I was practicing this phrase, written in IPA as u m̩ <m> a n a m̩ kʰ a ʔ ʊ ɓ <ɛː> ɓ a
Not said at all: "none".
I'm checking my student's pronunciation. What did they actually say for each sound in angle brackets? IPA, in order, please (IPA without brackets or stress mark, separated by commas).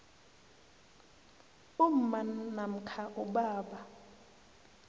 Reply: m, aː